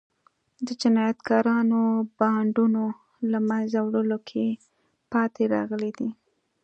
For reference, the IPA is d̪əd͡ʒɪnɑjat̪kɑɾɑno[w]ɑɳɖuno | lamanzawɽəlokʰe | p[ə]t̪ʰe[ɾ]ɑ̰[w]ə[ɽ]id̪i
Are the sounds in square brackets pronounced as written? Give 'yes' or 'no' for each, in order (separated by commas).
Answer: no, no, yes, no, no